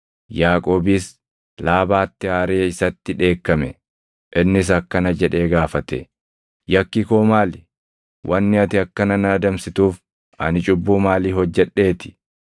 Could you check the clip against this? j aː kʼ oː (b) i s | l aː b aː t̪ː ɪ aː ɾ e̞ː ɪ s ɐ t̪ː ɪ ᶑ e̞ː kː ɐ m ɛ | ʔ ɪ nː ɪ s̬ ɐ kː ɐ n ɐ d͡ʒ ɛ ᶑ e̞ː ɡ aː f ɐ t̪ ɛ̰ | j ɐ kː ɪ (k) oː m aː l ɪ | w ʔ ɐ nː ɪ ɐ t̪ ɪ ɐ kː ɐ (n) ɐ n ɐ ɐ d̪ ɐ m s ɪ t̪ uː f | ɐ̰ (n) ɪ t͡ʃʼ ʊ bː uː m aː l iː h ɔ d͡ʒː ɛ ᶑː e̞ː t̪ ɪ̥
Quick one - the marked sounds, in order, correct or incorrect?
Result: correct, correct, correct, correct

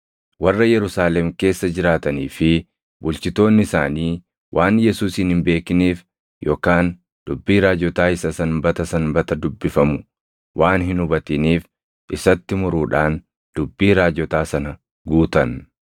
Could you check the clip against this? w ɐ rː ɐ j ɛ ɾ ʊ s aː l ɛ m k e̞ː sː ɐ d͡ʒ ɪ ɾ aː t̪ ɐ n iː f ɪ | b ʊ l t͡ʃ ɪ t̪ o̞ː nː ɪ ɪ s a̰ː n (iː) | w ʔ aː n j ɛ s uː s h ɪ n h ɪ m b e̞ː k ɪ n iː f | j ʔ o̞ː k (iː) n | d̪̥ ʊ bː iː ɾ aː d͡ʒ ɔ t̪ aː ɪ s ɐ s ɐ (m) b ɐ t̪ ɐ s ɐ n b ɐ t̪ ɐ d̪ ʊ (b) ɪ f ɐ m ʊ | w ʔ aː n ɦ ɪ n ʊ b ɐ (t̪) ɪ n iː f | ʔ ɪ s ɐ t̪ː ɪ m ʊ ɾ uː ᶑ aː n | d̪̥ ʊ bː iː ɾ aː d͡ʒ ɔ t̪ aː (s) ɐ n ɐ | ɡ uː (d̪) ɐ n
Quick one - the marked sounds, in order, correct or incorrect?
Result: correct, incorrect, incorrect, incorrect, correct, correct, incorrect

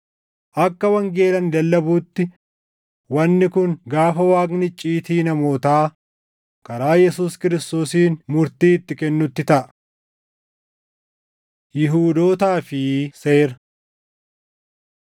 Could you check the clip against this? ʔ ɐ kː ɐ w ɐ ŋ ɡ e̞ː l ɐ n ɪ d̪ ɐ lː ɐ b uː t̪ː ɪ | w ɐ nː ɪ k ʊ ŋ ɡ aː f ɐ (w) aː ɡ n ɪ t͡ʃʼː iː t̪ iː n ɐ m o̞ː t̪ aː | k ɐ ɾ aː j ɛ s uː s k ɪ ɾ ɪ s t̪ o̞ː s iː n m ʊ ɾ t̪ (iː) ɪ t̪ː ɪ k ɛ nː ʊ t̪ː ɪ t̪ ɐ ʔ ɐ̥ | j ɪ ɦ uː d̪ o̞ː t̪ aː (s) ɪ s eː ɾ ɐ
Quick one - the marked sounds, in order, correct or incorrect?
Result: correct, correct, incorrect

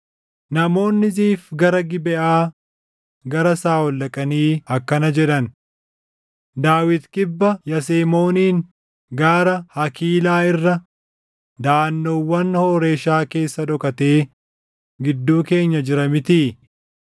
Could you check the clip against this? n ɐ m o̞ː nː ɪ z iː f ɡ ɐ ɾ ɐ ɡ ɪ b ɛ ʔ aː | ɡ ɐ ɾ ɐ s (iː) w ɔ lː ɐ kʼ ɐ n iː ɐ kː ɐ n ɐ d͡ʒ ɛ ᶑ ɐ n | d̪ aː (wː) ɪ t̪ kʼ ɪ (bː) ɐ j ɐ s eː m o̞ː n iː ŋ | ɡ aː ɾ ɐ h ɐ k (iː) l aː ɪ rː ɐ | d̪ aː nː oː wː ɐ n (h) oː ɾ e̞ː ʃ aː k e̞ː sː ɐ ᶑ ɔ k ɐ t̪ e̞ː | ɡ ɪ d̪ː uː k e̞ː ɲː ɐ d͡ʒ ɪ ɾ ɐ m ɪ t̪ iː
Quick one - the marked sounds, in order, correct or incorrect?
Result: incorrect, incorrect, correct, correct, correct

